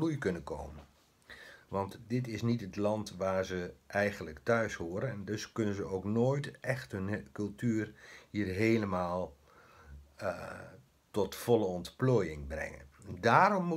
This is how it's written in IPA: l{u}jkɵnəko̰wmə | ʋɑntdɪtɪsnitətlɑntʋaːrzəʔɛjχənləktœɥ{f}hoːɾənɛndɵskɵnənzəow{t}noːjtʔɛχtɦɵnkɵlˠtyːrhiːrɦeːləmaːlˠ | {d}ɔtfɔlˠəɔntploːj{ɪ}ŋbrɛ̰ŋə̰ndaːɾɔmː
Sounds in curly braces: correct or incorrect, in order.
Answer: correct, incorrect: s, incorrect: k, incorrect: t, correct

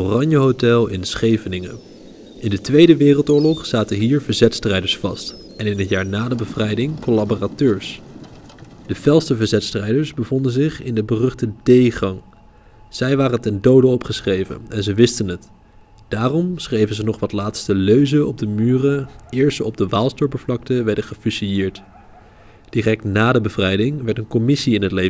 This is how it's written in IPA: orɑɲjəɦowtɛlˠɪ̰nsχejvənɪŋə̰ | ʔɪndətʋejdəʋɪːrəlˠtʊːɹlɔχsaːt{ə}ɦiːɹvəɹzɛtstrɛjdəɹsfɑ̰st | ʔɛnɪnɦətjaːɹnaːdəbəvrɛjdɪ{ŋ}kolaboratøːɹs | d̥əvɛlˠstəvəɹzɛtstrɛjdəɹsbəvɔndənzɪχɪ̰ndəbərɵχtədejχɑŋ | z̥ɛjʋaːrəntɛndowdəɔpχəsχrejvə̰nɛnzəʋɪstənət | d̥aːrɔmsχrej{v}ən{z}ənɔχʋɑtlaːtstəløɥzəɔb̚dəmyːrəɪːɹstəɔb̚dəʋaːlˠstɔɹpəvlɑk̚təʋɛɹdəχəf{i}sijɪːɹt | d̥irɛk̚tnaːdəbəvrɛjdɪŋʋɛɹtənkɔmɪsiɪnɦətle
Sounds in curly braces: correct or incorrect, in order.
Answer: correct, correct, correct, correct, incorrect: y

